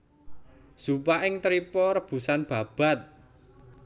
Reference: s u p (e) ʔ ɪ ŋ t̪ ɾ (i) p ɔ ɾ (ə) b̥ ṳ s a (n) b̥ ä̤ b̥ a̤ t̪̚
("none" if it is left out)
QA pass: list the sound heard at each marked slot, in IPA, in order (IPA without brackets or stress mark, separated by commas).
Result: a, i, ə, n